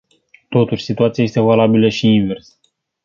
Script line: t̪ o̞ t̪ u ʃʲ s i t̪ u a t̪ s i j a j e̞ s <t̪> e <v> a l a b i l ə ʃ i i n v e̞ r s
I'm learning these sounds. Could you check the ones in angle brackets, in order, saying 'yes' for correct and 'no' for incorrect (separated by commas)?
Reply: yes, yes